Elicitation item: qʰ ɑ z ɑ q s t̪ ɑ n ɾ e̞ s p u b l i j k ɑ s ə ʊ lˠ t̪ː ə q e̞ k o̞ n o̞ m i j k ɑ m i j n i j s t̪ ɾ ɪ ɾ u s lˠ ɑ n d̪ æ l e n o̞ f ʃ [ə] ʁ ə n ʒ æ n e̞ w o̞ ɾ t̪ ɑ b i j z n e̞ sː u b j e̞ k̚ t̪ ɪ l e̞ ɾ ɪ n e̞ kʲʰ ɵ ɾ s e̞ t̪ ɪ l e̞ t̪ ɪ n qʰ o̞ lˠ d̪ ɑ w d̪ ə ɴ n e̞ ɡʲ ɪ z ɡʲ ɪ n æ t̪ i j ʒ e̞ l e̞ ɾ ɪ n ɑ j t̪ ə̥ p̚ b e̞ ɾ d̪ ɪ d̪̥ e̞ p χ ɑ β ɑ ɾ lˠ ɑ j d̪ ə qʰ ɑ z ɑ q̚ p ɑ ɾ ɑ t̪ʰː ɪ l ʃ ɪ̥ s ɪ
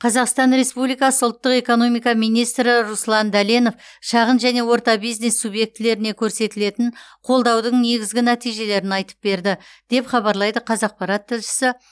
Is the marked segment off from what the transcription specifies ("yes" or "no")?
yes